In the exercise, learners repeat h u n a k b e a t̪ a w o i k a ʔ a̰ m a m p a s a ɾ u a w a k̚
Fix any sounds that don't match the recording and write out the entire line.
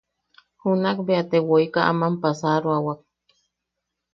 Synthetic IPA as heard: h u n a k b e a t̪ e w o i k a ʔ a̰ m a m p a s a ɾ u a w a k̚